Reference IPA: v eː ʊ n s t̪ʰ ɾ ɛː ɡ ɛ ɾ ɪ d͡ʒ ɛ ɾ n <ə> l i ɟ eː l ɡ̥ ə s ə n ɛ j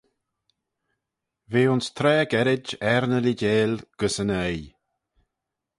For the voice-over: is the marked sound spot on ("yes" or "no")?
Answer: yes